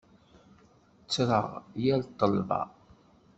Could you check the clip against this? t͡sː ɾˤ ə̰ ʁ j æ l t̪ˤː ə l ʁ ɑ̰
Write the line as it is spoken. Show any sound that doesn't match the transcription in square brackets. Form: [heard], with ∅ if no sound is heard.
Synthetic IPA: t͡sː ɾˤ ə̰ ʁ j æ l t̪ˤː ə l [v] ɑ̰